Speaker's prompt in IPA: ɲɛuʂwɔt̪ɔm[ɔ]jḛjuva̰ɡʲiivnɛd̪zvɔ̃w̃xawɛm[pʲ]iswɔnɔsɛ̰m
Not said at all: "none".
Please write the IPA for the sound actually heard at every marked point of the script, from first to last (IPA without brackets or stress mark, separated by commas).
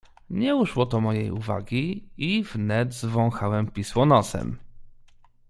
ɔ, pʲ